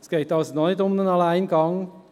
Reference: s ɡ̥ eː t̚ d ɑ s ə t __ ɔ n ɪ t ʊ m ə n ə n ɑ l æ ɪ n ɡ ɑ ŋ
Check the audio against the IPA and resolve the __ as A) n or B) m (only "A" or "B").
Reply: A